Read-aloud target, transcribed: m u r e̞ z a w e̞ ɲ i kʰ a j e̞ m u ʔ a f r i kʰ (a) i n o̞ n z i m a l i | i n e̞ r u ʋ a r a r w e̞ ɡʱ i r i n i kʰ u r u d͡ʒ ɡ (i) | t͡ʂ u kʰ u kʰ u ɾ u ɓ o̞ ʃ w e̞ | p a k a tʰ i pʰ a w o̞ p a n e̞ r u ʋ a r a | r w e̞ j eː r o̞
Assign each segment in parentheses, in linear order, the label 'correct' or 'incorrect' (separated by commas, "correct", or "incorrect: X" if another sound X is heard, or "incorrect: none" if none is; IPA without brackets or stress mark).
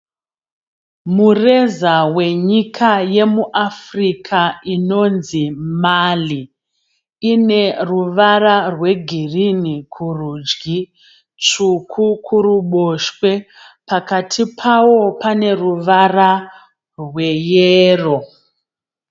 correct, correct